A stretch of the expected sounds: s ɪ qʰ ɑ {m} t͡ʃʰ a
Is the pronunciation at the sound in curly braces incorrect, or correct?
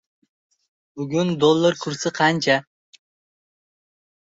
incorrect